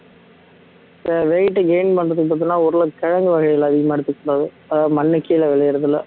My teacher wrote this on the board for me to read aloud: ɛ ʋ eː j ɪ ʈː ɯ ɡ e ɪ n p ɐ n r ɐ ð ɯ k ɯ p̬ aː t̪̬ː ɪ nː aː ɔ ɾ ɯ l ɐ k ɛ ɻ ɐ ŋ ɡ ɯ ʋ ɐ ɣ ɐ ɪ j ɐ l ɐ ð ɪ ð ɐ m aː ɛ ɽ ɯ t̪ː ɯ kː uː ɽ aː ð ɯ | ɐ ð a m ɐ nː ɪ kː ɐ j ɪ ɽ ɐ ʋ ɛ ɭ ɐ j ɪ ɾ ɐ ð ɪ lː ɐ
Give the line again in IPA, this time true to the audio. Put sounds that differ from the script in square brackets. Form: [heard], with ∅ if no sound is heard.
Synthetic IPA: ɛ ʋ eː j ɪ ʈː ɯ ɡ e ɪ n p ɐ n r ɐ ð ɯ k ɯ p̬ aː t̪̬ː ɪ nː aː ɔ ɾ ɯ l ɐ k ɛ ɻ ɐ ŋ ɡ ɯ ʋ ɐ ɣ ɐ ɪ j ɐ l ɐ ð ɪ [ɣ] ɐ m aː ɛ ɽ ɯ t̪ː ɯ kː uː ɽ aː ð ɯ | ɐ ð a m ɐ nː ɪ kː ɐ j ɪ [l] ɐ ʋ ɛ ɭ ɐ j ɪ ɾ ɐ ð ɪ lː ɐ